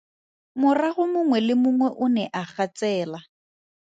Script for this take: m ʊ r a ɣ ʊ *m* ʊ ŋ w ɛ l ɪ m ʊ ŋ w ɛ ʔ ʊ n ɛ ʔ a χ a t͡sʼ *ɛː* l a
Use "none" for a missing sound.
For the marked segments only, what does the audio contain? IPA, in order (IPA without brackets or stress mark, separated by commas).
m, ɛː